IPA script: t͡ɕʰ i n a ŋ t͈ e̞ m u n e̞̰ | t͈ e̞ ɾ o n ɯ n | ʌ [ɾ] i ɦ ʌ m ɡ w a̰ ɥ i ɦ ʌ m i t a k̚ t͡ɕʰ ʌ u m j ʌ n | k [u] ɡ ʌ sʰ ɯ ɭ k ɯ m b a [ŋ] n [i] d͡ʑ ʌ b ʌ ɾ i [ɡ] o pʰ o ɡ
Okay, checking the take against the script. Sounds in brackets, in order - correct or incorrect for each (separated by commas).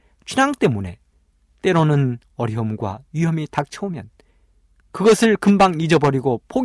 correct, incorrect, correct, correct, correct